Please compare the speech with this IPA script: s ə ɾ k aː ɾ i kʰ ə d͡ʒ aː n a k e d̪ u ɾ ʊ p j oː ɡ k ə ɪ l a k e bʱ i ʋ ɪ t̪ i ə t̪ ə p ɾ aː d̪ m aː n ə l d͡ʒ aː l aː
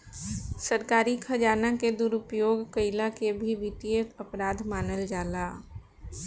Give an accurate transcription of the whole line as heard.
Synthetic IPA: s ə ɾ k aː ɾ i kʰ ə d͡ʒ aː n a k e d̪ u ɾ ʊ p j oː ɡ k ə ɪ l a k e bʱ i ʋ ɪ t̪ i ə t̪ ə p ɾ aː d̪ m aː n ə l d͡ʒ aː l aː